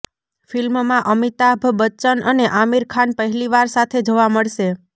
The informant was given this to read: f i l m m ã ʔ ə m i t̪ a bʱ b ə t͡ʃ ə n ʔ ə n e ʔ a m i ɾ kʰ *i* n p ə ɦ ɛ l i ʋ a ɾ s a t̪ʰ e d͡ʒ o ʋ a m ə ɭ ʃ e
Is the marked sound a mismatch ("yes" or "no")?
yes